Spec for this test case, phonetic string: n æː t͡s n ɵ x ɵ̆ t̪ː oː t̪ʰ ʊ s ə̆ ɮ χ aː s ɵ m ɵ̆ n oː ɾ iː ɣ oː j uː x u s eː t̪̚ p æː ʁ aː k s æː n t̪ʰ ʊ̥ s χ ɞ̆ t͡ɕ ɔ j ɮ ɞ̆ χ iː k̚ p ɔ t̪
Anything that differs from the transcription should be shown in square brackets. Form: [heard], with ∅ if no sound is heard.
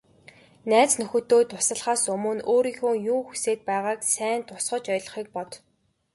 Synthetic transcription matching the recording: n æː t͡s n ɵ x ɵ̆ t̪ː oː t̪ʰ ʊ s ə̆ ɮ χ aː s ɵ m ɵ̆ n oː ɾ iː [x] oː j uː x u s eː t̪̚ p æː ʁ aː k s æː n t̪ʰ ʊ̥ s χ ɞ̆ t͡ɕ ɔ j ɮ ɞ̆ χ iː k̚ p ɔ t̪